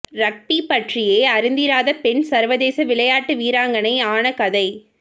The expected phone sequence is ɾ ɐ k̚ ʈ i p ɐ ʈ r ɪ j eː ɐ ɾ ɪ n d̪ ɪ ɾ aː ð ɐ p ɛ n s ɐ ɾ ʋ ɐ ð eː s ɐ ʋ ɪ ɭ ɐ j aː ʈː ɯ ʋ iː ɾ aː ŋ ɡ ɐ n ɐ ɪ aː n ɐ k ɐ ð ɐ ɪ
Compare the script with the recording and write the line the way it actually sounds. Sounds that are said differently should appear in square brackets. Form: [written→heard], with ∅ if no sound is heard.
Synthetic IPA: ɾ ɐ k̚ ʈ i p ɐ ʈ r ɪ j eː ɐ ɾ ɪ n d̪ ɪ ɾ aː ð ɐ p ɛ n s ɐ ɾ ʋ ɐ ð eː s ɐ ʋ ɪ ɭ ɐ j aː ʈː ɯ ʋ iː ɾ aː ŋ ɡ ɐ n ɐ ɪ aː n ɐ k ɐ ð ɐ ɪ